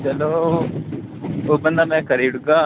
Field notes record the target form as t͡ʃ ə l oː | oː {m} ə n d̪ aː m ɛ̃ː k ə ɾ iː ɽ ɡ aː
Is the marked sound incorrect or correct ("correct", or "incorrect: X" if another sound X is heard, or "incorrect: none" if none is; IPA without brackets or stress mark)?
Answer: incorrect: b